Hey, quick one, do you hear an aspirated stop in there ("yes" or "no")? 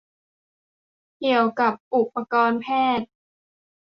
yes